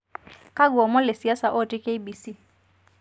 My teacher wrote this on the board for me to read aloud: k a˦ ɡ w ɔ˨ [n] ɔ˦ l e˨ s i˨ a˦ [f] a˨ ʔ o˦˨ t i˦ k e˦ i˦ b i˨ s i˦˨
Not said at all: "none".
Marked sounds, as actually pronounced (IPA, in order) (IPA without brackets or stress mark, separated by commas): m, s